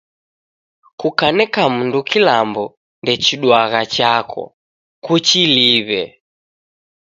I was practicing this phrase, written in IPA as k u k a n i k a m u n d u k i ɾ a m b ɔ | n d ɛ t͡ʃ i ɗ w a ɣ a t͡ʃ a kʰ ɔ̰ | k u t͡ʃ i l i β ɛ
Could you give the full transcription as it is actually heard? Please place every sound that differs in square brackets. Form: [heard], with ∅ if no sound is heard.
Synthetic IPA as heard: k u k a n [ɛ] k a m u n d u k i [l] a m b ɔ | n d ɛ t͡ʃ i ɗ w a ɣ a t͡ʃ a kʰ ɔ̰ | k u t͡ʃ i l i β ɛ